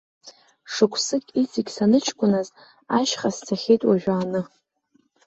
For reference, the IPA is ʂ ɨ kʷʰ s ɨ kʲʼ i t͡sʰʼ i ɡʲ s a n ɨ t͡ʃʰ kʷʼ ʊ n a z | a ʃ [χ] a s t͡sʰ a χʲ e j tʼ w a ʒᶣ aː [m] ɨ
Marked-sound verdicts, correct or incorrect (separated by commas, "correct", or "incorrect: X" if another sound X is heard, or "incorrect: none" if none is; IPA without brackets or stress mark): correct, incorrect: n